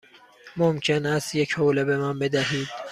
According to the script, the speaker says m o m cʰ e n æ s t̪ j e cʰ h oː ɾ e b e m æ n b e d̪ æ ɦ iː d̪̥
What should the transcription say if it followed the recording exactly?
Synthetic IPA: m o m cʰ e n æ s t̪ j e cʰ h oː l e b e m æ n b e d̪ æ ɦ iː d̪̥